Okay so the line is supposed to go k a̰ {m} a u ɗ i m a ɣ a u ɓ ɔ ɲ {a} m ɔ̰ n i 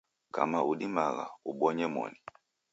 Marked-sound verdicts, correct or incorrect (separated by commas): correct, incorrect